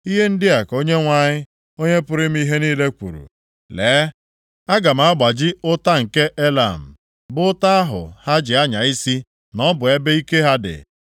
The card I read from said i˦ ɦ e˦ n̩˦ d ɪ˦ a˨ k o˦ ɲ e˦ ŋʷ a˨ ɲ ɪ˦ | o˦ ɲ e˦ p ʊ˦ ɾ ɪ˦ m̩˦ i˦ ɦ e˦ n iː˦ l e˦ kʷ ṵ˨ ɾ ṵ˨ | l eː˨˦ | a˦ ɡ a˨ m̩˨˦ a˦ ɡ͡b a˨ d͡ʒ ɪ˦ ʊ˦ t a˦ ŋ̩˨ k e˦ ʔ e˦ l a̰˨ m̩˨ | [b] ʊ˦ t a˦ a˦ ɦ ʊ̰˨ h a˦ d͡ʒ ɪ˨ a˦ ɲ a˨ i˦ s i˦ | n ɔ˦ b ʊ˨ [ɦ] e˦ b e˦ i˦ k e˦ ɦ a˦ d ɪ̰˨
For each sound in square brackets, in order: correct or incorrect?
correct, incorrect: none

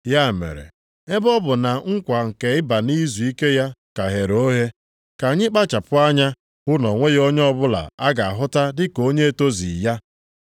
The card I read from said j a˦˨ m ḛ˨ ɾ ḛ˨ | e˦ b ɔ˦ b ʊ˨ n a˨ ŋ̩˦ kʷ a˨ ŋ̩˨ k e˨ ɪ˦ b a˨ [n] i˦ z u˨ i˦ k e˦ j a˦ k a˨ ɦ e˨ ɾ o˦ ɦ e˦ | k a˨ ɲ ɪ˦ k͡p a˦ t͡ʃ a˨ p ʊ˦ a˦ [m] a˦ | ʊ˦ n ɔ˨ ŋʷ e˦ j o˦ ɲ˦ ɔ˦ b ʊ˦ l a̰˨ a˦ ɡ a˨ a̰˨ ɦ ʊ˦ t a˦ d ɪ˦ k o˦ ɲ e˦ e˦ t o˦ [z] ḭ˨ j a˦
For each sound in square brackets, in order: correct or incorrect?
correct, incorrect: ɲ, correct

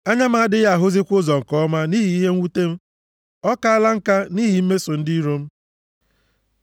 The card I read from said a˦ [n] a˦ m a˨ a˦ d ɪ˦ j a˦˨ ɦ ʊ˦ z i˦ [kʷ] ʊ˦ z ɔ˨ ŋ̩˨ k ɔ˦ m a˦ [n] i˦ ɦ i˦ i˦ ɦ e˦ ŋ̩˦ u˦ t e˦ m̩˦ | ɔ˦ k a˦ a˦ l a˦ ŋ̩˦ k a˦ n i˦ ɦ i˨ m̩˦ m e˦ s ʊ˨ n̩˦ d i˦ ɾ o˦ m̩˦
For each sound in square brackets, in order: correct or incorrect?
incorrect: ɲ, correct, correct

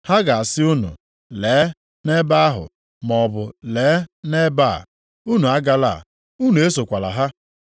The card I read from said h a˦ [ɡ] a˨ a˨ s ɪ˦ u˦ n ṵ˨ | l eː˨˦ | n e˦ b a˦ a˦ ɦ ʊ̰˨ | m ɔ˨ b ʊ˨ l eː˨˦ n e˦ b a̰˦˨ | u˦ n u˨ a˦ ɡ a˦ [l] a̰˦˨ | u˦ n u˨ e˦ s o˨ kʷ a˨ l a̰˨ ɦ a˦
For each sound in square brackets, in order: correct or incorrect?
correct, correct

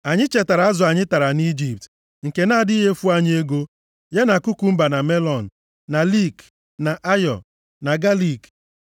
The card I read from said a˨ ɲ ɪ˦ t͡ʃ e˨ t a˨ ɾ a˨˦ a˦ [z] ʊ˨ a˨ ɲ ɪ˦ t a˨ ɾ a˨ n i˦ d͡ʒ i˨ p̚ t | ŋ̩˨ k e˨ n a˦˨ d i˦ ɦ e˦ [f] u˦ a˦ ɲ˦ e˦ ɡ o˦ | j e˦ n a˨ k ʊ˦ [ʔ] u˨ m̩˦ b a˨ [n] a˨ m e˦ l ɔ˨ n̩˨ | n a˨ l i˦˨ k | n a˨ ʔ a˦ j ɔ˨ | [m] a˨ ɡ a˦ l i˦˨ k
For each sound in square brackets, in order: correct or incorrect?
correct, correct, incorrect: k, correct, incorrect: n

